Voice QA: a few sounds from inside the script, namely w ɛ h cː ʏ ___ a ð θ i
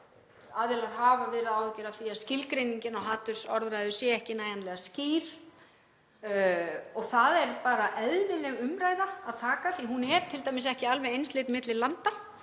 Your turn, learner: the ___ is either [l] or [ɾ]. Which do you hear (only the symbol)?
ɾ